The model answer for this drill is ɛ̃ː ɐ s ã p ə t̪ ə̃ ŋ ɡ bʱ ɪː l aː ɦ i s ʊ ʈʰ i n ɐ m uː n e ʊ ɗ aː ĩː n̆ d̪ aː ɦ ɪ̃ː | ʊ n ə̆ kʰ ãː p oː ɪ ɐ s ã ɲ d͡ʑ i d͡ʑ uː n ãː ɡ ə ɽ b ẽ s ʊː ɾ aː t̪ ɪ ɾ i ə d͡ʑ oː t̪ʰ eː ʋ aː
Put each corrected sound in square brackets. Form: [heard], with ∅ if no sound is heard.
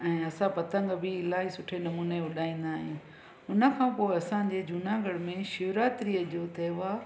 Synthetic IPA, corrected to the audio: ɛ̃ː ɐ s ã p [ɐ] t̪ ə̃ ŋ ɡ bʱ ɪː l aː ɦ i s ʊ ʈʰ [e] n ɐ m uː n e ʊ ɗ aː ĩː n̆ d̪ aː ɦ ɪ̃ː | ʊ n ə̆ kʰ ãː p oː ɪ ɐ s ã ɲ d͡ʑ [e] d͡ʑ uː n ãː ɡ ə ɽ [m] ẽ [ʃ] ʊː ɾ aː t̪ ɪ ɾ i ə d͡ʑ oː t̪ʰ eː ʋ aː